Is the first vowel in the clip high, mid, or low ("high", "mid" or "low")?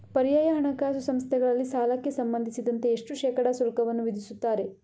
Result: low